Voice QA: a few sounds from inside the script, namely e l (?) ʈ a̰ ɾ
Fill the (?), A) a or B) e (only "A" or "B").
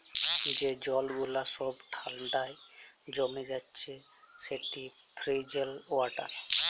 A